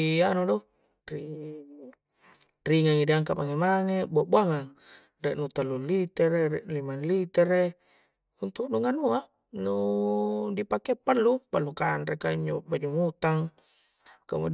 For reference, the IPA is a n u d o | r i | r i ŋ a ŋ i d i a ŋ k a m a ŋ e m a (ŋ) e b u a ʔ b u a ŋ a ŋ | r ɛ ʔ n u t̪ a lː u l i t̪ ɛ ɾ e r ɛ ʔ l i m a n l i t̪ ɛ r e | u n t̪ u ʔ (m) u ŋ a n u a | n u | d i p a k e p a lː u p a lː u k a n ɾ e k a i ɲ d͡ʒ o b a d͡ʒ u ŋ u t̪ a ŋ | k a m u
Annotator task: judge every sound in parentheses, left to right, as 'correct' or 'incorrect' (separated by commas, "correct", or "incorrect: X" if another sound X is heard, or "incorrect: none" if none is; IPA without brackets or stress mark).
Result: correct, incorrect: n